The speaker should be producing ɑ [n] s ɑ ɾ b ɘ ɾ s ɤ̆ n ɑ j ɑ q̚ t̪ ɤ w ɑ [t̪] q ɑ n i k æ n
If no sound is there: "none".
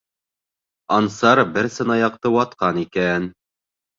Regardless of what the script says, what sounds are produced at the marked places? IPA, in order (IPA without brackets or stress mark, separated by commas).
n, t̪